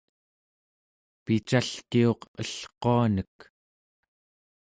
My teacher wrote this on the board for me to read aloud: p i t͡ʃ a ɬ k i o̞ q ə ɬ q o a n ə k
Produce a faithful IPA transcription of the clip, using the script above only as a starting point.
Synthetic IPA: p i t͡ʃ a ɬ k i o̞ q ə ɬ q o a n ə k